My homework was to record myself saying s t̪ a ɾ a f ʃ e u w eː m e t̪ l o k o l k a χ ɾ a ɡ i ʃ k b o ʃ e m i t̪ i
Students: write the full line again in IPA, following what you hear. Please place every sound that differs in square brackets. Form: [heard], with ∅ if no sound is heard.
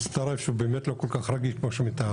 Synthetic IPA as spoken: s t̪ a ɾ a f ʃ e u [b] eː m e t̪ l o k o l k a χ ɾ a ɡ i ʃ k [m] o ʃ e m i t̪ [a]